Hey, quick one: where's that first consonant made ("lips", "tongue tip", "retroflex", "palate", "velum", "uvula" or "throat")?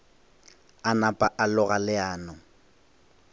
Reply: tongue tip